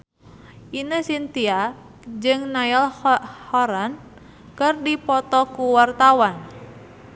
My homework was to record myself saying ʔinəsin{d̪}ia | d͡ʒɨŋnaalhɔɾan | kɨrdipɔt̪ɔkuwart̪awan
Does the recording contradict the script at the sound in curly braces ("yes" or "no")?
yes